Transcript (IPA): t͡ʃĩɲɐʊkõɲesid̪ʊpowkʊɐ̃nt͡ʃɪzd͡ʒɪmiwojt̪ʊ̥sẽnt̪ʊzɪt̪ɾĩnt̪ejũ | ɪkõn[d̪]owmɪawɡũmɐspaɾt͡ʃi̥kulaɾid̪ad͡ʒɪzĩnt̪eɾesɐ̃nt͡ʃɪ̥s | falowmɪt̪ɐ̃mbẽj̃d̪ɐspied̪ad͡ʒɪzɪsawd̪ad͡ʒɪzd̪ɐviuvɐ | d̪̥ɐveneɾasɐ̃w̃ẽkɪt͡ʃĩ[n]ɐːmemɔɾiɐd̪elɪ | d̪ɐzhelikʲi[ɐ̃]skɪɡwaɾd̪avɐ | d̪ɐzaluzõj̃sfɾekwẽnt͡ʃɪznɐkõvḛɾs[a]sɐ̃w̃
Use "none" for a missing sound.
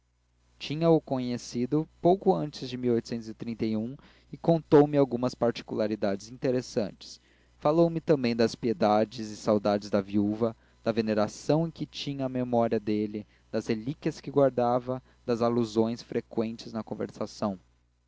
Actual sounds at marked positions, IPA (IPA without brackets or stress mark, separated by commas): t̪, ɲ, ɐ, a